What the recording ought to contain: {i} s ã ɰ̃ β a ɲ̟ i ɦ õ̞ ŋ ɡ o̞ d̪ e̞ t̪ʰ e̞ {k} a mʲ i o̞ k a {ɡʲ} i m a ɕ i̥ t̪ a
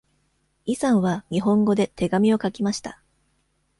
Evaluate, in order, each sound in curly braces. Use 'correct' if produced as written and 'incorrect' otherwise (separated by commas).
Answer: correct, incorrect, incorrect